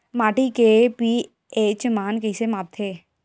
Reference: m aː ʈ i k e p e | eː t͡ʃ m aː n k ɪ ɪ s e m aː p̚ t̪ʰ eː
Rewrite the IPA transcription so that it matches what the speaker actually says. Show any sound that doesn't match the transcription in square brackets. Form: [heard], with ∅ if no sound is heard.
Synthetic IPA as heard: m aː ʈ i k e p [i] | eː t͡ʃ m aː n k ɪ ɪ s e m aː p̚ t̪ʰ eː